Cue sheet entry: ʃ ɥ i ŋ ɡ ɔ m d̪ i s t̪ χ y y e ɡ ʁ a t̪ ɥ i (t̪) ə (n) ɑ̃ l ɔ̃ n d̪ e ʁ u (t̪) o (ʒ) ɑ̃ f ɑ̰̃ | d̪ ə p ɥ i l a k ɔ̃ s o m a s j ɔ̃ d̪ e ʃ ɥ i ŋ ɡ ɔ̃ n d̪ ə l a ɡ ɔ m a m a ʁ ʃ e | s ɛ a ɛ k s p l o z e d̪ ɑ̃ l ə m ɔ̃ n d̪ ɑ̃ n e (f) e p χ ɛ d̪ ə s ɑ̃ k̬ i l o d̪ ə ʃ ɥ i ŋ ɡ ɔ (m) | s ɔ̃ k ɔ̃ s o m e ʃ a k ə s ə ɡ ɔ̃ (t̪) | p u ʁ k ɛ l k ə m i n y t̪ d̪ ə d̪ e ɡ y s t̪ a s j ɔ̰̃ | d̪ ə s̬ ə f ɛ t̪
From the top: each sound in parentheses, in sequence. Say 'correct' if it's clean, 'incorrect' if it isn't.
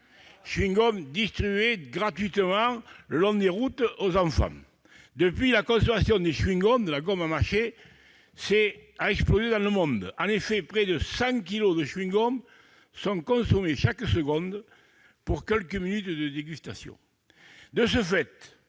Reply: correct, incorrect: m, correct, incorrect: z, correct, correct, incorrect: d̪

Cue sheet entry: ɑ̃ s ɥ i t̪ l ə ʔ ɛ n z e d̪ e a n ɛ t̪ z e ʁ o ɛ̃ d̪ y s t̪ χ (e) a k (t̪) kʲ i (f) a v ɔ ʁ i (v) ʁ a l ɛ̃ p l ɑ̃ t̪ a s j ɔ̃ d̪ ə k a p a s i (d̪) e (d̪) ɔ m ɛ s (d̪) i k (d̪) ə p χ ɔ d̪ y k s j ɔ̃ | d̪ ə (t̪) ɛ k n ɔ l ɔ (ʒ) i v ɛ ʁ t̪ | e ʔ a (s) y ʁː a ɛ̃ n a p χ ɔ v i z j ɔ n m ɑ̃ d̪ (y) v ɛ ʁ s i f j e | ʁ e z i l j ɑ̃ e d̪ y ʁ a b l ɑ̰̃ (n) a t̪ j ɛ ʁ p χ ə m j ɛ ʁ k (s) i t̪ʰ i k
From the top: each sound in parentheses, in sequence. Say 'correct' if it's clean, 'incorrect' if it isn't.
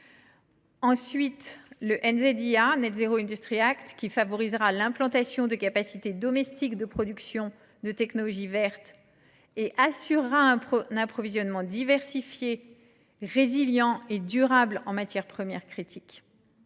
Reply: incorrect: i, correct, correct, incorrect: z, incorrect: t̪, correct, incorrect: t̪, correct, correct, correct, correct, incorrect: i, incorrect: m, incorrect: χ

